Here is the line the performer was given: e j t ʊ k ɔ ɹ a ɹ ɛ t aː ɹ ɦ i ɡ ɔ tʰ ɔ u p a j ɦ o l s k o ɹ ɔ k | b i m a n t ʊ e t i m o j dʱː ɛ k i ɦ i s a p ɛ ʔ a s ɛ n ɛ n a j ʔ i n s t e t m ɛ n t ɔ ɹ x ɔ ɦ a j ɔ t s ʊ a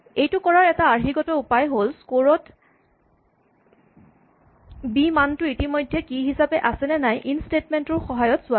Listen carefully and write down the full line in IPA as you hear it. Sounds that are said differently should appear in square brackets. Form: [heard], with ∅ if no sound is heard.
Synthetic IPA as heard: e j t ʊ k ɔ ɹ a ɹ ɛ t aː ɹ ɦ i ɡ ɔ [t] ɔ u p a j ɦ o l s k o ɹ ɔ [t] | b i m a n t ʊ [i] t i m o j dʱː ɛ k i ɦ i s a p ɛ ʔ a s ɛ n ɛ n a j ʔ i n s t e t m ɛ n t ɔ ɹ x ɔ ɦ a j ɔ t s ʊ a